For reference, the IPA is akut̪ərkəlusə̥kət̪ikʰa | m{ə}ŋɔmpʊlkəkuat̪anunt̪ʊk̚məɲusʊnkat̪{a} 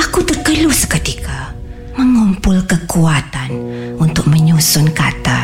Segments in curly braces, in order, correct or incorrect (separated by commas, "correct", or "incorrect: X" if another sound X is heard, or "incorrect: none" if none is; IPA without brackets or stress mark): correct, correct